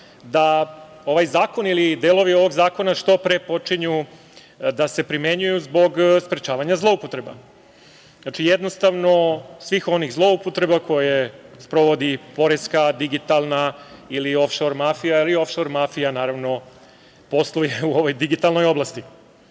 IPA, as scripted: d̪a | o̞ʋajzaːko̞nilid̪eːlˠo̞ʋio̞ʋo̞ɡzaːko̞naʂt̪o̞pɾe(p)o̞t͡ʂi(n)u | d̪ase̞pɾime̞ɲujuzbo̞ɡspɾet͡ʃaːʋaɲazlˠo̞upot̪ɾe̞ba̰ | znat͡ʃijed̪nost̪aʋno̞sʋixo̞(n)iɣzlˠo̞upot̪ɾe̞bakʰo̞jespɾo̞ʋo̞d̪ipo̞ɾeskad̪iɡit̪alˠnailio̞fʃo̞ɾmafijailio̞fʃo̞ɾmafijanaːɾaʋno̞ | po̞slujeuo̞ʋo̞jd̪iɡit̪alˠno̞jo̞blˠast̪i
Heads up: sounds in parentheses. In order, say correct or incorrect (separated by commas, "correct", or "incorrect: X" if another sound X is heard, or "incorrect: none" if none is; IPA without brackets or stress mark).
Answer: correct, incorrect: ɲ, correct